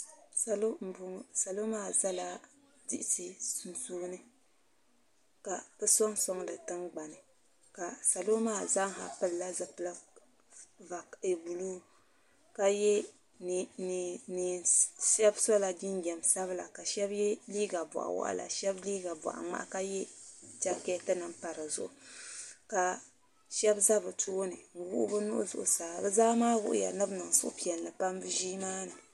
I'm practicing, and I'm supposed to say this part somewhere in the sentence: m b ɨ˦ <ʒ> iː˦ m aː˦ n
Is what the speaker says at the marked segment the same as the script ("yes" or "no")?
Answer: yes